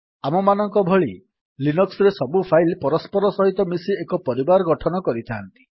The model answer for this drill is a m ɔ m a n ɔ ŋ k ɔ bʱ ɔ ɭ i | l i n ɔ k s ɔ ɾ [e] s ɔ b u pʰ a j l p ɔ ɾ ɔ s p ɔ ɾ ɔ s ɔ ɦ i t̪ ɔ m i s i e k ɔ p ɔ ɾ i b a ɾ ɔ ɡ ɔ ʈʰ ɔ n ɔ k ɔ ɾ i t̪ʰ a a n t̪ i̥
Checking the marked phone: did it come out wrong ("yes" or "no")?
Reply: no